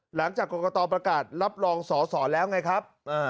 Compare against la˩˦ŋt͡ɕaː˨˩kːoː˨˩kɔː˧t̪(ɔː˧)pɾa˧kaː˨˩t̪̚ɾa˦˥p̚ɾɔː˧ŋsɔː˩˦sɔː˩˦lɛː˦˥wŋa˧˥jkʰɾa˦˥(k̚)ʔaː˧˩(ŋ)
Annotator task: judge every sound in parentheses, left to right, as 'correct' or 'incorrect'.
correct, incorrect: p̚, incorrect: none

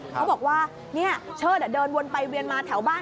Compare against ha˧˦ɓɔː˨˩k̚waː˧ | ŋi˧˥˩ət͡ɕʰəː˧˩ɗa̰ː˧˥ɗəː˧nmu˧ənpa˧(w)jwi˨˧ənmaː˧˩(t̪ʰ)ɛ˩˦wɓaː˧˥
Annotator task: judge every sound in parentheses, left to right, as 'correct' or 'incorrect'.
incorrect: none, correct

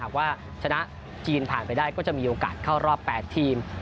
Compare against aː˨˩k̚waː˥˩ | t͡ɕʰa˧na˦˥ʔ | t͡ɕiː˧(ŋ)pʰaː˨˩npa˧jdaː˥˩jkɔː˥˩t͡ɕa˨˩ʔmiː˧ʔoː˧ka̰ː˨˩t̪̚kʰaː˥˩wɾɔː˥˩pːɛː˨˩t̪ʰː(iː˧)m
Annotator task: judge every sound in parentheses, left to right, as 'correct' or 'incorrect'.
incorrect: n, correct

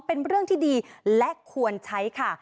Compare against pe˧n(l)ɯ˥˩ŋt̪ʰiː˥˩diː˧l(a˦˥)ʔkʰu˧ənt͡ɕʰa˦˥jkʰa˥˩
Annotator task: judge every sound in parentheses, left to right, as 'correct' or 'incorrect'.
incorrect: ɾ, incorrect: ɛ˦˥

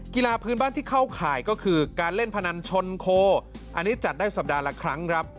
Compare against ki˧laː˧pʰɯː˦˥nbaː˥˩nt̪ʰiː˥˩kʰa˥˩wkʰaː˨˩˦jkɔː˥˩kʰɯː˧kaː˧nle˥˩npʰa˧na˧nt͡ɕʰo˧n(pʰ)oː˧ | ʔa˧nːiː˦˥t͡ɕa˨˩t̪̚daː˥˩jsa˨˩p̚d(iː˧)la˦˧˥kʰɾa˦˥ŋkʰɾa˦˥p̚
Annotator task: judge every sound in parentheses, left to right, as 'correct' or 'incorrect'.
incorrect: kʰ, incorrect: aː˧

